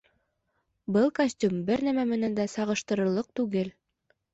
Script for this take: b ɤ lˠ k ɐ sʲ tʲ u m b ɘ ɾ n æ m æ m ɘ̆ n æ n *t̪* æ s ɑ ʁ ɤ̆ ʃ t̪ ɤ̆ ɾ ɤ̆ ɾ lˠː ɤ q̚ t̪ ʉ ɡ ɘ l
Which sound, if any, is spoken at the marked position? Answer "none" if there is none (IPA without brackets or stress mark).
d̪